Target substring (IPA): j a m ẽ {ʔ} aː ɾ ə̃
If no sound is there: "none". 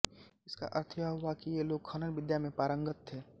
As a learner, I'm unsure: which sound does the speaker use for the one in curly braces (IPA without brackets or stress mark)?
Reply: p